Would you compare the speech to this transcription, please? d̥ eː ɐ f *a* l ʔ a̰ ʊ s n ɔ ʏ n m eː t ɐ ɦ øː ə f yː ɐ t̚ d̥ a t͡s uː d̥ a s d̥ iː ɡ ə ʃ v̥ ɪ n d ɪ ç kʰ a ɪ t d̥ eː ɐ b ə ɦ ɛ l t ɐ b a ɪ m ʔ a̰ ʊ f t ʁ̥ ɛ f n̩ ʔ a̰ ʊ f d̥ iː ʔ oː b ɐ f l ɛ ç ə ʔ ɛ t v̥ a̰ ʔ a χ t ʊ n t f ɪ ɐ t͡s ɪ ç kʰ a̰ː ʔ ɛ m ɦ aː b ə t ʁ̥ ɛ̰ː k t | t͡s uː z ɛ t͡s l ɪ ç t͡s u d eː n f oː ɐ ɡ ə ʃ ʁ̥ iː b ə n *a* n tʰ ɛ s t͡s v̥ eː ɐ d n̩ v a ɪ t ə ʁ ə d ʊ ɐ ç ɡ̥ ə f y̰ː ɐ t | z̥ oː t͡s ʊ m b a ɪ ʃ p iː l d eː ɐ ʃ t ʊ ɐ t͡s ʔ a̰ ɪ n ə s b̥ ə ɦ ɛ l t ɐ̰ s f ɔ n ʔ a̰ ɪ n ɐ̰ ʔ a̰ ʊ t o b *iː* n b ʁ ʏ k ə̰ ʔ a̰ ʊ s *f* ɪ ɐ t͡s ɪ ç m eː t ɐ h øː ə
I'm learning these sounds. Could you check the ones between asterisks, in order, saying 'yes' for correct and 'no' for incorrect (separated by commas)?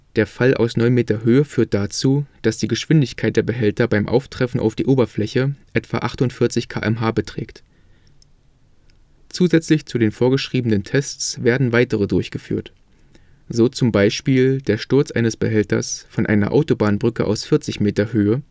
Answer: yes, no, no, yes